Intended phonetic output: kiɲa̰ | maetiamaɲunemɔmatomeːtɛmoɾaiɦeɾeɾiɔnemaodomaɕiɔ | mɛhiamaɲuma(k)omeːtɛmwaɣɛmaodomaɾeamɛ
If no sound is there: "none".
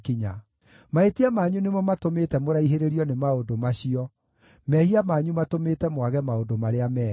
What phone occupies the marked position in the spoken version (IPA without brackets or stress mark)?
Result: t